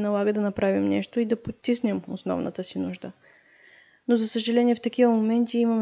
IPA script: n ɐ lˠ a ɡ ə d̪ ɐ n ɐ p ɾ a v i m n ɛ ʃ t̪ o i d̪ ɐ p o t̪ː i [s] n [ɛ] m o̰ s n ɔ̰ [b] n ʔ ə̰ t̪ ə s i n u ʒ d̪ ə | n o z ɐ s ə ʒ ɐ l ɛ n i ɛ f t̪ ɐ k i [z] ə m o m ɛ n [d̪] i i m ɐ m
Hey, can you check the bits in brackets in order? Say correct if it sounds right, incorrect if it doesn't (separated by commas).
correct, correct, incorrect, incorrect, incorrect